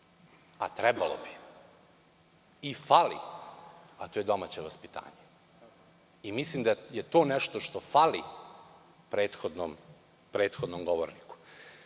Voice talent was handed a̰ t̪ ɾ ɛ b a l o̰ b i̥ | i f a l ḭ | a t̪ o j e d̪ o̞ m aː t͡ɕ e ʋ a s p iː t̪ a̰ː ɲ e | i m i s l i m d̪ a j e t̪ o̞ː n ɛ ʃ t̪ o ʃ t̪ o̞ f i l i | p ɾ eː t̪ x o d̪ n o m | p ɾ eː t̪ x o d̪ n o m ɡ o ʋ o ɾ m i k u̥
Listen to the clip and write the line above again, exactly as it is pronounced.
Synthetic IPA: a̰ t̪ ɾ ɛ b a l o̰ b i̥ | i f a l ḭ | a t̪ o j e d̪ o̞ m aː t͡ɕ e ʋ a s p i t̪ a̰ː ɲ e | i m i s l i m d̪ a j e t̪ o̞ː n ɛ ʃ t̪ o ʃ t̪ o̞ f a l i | p ɾ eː t̪ x o d̪ n o m | p ɾ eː t̪ x o d̪ n o m ɡ o ʋ o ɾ n i k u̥